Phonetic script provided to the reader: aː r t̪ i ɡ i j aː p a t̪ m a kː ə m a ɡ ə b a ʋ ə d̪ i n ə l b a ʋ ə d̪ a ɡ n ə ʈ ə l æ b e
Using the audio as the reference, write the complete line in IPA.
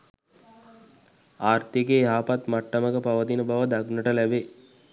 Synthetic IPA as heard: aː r t̪ i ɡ e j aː p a t̪ m a ʈː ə m ə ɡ ə p a ʋ ə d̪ i n ə b a ʋ ə d̪ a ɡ n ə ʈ ə l æ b e